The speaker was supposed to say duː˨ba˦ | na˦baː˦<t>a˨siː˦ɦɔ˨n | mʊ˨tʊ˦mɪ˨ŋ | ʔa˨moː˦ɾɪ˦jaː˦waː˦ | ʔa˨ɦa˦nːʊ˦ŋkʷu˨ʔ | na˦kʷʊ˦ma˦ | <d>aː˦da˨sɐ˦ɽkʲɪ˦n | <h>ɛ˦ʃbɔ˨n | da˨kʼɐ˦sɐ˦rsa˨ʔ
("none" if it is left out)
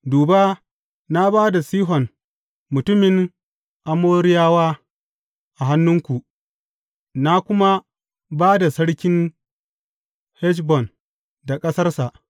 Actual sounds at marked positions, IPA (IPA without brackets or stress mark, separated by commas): d, b, h